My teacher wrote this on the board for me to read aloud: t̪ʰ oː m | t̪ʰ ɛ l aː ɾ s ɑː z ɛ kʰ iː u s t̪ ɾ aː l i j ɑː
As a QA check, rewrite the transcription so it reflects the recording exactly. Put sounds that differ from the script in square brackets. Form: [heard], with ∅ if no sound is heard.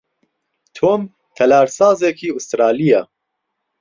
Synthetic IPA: t̪ʰ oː m | t̪ʰ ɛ l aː ɾ s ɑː z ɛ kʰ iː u s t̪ ɾ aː l i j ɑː